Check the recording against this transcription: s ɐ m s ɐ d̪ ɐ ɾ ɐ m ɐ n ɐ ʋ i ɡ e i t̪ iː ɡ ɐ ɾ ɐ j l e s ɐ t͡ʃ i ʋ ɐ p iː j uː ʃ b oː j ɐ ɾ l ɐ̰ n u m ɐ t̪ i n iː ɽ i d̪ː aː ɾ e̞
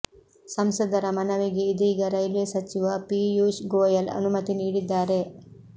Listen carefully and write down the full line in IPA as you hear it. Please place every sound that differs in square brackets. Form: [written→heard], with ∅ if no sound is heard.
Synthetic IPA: s ɐ m s ɐ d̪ ɐ ɾ ɐ m ɐ n ɐ ʋ i ɡ e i [t̪→d̪] iː ɡ ɐ ɾ ɐ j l e s ɐ t͡ʃ i ʋ ɐ p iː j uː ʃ [b→ɡ] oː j ɐ [ɾ→∅] l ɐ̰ n u m ɐ t̪ i n iː ɽ i d̪ː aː ɾ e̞